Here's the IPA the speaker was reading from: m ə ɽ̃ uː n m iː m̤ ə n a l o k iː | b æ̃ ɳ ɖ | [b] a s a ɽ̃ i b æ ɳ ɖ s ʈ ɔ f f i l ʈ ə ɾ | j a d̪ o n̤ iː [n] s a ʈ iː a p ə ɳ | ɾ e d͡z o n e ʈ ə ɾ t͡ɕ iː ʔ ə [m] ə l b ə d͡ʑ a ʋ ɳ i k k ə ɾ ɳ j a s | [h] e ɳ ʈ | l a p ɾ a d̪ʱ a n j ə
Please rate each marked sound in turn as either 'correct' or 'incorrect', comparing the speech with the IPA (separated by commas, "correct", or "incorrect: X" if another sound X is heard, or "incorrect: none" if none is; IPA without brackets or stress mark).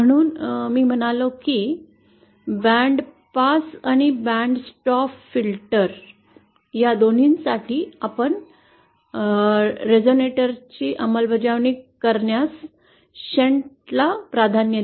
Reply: incorrect: p, correct, correct, incorrect: ɕ